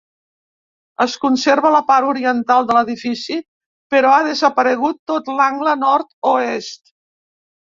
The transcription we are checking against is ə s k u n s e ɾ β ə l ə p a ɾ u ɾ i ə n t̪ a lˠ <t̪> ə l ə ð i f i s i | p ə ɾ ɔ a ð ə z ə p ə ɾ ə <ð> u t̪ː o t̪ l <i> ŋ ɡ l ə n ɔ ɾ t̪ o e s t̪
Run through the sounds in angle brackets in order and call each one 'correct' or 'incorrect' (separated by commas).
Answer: incorrect, incorrect, incorrect